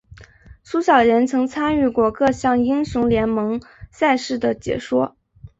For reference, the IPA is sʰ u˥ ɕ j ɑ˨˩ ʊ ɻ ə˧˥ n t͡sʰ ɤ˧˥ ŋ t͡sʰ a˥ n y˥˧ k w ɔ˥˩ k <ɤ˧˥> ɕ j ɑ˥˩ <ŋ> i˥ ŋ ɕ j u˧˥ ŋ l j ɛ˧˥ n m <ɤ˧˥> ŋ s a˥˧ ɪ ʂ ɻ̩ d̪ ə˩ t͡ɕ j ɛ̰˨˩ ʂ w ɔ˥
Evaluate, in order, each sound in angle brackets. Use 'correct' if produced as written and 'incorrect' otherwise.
incorrect: ɤ˥˧, correct, correct

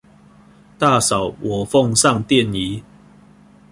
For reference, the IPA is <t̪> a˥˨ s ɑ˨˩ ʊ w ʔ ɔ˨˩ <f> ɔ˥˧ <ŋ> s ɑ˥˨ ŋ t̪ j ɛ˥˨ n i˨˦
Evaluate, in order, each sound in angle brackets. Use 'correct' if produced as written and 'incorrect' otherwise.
correct, correct, correct

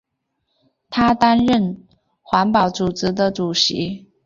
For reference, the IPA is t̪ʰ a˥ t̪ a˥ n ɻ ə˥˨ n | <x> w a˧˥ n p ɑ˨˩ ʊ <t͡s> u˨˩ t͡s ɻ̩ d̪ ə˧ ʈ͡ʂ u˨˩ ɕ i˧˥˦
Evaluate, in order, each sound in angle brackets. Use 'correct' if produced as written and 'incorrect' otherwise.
correct, correct

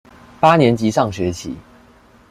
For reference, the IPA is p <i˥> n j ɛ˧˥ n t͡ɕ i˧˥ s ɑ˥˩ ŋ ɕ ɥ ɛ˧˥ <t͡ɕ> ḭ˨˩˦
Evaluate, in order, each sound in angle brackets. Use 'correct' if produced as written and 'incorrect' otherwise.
incorrect: a˥, incorrect: t͡ɕʰ

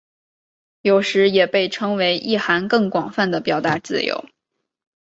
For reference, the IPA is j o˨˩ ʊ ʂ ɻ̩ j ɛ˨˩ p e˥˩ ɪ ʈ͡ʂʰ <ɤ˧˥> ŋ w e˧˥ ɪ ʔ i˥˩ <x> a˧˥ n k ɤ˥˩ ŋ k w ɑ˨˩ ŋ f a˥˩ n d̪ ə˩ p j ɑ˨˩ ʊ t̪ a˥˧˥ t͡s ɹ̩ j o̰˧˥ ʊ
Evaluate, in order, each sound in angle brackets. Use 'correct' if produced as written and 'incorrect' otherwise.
incorrect: ɤ˥, correct

